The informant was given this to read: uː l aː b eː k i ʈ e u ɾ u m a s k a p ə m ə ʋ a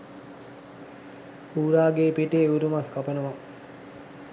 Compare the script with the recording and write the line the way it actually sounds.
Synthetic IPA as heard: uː ɾ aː ɡ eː p i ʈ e u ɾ u m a s k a p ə n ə ʋ a